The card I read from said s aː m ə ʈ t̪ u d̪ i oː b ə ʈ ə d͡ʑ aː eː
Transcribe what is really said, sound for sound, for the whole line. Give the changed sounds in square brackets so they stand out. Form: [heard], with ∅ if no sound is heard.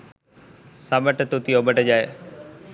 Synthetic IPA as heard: s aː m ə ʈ t̪ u [t̪] i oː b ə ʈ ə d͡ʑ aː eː